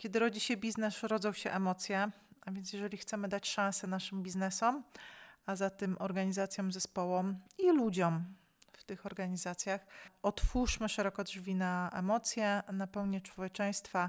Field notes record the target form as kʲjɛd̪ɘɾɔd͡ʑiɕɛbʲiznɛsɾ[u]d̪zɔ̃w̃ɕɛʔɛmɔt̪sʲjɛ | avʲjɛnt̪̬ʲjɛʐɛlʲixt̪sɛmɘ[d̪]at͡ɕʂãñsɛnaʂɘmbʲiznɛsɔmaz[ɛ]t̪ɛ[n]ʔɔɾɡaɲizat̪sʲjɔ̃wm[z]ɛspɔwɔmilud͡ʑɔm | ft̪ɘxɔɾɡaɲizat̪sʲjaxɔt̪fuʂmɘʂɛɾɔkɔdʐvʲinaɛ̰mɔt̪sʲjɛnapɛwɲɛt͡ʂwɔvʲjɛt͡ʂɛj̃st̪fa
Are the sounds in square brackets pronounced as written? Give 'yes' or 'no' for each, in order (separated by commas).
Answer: no, yes, no, no, yes